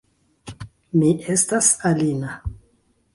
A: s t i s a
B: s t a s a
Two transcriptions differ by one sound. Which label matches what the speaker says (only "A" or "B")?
B